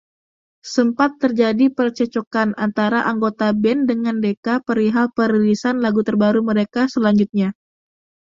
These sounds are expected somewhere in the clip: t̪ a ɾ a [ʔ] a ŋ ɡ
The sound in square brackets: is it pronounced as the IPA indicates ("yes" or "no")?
yes